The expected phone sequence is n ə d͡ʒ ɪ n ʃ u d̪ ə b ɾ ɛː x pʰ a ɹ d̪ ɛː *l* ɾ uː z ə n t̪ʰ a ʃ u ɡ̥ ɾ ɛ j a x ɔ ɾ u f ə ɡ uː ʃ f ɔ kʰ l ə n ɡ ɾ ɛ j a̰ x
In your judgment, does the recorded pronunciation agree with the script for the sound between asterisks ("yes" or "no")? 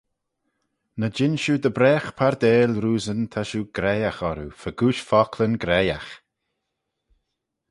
yes